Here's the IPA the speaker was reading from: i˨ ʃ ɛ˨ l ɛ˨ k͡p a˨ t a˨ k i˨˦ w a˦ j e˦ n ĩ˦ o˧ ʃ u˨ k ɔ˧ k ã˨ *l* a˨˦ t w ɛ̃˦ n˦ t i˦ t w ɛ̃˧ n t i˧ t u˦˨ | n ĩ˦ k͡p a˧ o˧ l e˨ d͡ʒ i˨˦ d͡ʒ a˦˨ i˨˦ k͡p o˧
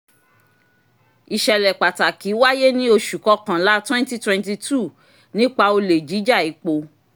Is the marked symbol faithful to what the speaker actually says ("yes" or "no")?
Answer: yes